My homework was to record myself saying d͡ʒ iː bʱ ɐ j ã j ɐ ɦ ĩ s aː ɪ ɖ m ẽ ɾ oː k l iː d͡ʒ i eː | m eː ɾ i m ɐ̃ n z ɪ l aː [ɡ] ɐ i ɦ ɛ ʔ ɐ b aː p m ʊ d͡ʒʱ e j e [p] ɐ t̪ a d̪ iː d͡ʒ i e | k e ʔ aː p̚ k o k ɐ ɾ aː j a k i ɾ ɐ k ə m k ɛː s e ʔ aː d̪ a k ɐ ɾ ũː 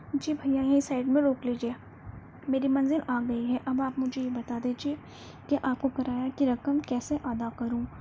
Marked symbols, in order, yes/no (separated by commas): yes, no